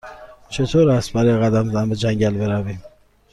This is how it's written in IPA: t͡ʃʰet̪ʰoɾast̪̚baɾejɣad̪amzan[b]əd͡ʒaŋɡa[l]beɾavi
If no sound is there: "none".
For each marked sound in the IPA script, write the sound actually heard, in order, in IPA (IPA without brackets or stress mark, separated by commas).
b, l